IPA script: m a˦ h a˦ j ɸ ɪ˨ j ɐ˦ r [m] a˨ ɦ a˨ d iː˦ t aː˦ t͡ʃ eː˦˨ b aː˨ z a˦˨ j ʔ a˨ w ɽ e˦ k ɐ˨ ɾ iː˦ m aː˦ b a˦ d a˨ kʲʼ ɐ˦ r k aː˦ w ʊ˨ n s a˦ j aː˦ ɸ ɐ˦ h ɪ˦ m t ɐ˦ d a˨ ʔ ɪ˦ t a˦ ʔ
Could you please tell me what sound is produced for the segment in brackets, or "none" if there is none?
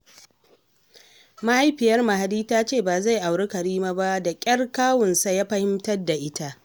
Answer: m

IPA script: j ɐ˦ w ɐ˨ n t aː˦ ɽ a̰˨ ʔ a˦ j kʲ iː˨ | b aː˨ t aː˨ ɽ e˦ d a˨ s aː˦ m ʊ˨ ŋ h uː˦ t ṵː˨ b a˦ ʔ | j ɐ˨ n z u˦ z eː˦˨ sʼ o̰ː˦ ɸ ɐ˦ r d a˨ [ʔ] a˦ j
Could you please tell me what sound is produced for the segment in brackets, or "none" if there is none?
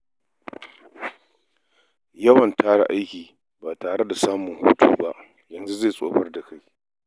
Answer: k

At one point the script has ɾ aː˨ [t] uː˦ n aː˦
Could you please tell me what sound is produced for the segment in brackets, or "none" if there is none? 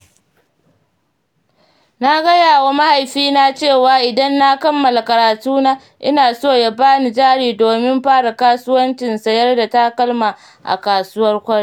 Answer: t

